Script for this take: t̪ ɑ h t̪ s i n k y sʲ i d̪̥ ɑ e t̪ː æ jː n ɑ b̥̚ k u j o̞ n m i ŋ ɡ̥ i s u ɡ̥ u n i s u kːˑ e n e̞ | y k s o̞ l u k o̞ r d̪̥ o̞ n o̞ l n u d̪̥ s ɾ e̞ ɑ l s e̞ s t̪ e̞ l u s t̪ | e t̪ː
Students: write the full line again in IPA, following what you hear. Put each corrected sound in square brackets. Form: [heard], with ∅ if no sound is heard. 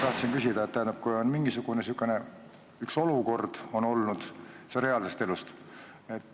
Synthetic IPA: t̪ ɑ h t̪ s i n k y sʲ i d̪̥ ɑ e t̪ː æ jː n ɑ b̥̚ k u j o̞ n m i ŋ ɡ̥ i s u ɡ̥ u n [e] s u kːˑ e n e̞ | y k s o̞ l u k o̞ r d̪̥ o̞ n o̞ l n u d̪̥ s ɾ e̞ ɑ l s e̞ s t̪ e̞ l u s t̪ | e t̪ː